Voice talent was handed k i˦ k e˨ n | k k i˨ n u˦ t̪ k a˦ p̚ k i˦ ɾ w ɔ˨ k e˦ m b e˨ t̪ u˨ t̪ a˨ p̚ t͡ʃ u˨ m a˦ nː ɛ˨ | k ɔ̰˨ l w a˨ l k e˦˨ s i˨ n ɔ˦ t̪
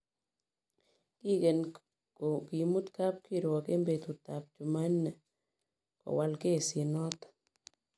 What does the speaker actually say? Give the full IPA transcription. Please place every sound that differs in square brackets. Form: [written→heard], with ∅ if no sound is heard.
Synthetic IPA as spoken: k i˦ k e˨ n | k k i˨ [n→m] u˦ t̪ k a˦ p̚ k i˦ ɾ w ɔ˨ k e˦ m b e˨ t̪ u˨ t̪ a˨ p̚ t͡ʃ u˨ m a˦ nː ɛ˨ | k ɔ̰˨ [l→∅] w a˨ l k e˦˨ s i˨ n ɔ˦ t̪